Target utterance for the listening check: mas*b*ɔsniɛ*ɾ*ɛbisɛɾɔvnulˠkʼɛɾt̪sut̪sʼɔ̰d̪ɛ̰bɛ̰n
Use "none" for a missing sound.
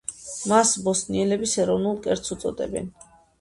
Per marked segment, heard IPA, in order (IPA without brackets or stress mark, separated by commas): b, l